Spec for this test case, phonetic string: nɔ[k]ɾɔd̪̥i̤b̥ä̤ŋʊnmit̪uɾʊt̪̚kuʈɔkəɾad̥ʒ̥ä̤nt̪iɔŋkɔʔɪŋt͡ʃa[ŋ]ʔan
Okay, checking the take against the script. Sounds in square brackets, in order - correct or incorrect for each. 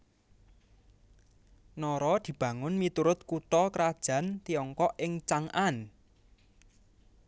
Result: incorrect: none, correct

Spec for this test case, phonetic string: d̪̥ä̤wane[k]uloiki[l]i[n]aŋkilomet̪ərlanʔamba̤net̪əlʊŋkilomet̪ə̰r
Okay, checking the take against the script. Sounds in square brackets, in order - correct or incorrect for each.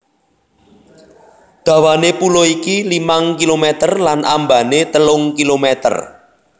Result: incorrect: p, correct, incorrect: m

